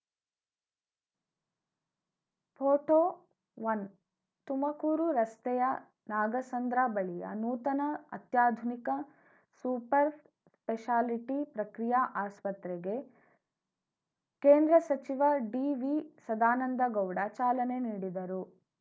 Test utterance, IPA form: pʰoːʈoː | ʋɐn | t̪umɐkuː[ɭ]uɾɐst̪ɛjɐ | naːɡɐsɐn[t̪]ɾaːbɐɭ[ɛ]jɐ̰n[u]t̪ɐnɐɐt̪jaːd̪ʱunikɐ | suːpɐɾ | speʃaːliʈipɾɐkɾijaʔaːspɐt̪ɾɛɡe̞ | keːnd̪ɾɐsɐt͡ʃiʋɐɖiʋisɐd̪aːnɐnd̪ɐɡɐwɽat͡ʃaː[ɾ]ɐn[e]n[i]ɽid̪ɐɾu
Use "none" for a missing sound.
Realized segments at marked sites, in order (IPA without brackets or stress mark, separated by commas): ɾ, d̪, i, uː, l, e, iː